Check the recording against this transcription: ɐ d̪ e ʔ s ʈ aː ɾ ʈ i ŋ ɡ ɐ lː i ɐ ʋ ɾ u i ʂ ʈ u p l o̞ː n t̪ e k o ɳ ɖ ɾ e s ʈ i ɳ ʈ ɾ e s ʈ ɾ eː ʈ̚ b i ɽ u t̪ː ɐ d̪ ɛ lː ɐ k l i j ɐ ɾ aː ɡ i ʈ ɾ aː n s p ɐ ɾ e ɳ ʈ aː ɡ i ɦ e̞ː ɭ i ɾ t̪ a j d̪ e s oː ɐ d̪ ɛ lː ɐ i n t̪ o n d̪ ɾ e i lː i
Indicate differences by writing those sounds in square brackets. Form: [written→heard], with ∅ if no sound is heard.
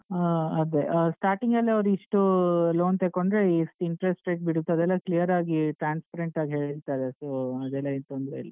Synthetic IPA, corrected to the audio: ɐ d̪ e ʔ s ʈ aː ɾ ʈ i ŋ ɡ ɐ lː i ɐ ʋ ɾ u i ʂ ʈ u [p→∅] l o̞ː n t̪ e k o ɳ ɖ ɾ e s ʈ i ɳ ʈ ɾ e s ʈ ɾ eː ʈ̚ b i ɽ u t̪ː ɐ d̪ ɛ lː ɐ k l i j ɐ ɾ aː ɡ i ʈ ɾ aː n s p ɐ ɾ e ɳ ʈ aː ɡ i ɦ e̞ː ɭ i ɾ t̪ a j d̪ e s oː ɐ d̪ ɛ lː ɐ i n t̪ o n d̪ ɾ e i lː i